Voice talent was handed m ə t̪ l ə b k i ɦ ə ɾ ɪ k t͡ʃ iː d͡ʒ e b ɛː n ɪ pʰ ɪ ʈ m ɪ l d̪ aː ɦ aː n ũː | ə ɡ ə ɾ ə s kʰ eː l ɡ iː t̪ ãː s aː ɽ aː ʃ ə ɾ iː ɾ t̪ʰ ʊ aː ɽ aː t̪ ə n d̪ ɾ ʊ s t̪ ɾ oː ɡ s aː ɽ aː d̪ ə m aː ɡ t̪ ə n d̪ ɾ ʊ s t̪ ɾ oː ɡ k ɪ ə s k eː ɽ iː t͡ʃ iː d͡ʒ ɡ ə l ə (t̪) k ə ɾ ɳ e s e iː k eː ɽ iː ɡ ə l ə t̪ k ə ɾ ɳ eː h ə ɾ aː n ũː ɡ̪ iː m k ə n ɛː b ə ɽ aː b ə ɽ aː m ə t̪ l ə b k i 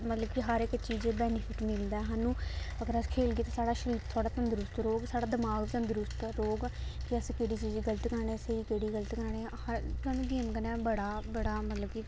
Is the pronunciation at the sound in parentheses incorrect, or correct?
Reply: correct